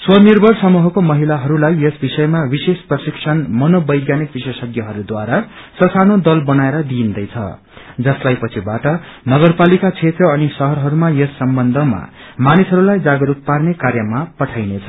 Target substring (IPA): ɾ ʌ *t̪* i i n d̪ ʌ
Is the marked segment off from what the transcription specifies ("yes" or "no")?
yes